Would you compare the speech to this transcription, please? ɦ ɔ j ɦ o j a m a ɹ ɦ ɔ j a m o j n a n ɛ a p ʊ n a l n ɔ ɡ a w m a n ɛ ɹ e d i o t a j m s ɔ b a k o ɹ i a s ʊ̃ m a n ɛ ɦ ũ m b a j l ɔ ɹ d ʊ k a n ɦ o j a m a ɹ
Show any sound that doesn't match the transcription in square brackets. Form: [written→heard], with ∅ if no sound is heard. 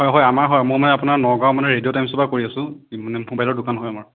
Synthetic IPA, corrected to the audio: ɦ ɔ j ɦ [o→ɔ] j a m a ɹ ɦ ɔ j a m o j [n→m] a n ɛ a p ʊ n a [l→ɹ] n ɔ ɡ a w m a n ɛ ɹ e d i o t a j m s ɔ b a k o ɹ i a s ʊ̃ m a n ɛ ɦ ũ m b a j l ɔ ɹ d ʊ k a n ɦ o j a m a ɹ